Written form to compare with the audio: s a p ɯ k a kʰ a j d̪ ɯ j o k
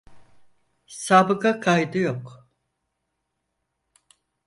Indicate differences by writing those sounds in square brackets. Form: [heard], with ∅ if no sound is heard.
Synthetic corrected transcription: s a [b] ɯ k a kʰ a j d̪ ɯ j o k